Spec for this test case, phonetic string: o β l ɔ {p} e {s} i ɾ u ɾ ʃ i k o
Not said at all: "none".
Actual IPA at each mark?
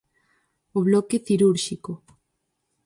k, θ

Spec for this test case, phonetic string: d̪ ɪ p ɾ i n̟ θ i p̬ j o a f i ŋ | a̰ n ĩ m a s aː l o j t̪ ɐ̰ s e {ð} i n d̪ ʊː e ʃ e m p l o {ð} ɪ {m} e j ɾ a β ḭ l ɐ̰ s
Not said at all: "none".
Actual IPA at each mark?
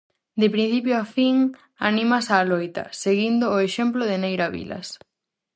ɣ, ð, n

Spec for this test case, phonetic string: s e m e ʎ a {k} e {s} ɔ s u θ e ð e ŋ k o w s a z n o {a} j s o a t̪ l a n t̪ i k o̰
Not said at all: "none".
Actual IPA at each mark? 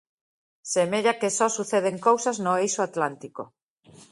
k, s, e

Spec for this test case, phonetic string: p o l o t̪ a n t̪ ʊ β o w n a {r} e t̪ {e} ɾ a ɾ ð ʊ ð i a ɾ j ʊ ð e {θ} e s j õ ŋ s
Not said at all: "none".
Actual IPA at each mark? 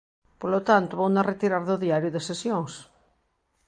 r, i, s

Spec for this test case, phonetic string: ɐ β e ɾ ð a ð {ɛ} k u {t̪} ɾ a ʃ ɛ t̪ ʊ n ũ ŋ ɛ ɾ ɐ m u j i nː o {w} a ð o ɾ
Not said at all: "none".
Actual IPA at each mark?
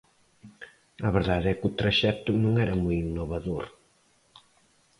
ɛ, t̪, β

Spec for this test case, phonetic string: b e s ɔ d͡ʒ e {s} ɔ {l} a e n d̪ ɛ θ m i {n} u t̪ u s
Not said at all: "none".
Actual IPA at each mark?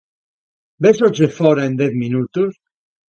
f, ɾ, n

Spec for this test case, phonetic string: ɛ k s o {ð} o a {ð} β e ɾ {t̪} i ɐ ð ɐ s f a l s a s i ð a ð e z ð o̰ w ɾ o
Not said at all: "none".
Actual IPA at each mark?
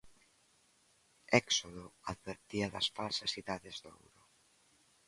ð, ð, t̪

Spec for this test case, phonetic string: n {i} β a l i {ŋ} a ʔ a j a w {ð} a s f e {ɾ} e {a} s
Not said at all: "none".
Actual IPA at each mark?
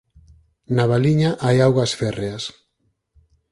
a, ɲ, ɣ, r, a

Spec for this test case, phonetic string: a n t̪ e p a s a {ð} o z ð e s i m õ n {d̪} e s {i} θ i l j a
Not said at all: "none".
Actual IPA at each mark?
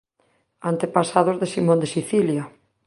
ð, d̪, i

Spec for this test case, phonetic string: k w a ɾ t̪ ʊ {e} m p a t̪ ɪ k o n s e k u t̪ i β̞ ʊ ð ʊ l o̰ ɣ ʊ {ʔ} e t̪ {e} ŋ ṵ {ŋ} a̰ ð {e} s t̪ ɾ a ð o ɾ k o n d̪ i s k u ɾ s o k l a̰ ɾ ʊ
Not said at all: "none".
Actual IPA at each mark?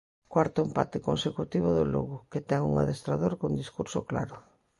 e, k, ɛ, ŋ, e

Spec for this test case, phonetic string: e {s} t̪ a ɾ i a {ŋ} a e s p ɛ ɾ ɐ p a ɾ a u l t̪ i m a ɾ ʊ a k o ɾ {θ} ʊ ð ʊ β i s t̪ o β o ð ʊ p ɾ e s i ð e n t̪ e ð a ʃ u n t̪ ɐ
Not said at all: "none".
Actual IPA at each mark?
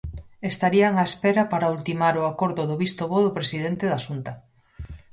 s, ŋ, ð

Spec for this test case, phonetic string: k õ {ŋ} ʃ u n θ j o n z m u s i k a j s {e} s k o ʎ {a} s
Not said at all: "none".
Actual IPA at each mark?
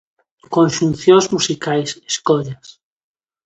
n, e, a

